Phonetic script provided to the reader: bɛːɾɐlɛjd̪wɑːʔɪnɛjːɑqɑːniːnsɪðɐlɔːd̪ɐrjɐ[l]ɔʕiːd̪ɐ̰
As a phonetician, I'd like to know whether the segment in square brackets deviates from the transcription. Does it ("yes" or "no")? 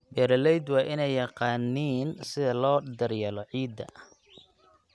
no